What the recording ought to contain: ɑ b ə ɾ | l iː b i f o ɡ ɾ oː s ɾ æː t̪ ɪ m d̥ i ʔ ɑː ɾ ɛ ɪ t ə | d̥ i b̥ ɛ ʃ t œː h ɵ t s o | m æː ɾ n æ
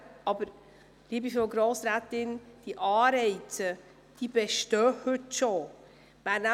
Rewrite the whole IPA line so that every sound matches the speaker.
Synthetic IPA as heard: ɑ b ə ɾ | l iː b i f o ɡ ɾ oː s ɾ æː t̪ ɪ n d̥ i ʔ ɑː ɾ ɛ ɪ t ə | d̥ i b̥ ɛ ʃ t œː h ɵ t ʃ o | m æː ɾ n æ